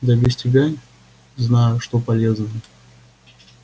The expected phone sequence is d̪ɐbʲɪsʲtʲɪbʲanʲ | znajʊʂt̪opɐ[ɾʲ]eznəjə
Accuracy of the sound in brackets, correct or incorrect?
incorrect